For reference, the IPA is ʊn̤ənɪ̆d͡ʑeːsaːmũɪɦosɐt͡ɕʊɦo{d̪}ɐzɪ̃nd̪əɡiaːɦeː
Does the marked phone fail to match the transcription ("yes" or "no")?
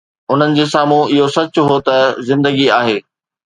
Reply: yes